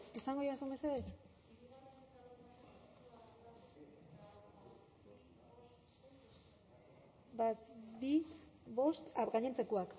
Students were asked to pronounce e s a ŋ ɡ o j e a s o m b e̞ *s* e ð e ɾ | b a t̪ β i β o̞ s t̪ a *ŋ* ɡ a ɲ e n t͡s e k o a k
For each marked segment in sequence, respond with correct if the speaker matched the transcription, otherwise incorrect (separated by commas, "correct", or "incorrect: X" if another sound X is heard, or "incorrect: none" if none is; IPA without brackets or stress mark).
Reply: correct, incorrect: none